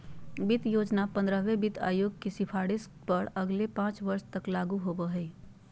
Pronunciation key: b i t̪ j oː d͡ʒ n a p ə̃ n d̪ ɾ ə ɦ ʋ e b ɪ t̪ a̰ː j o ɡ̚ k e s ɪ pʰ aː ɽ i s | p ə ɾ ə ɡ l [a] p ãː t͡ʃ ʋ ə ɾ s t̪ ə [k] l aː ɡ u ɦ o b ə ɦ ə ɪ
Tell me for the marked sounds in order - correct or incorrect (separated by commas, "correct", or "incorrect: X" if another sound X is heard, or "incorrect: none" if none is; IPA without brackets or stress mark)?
incorrect: e, correct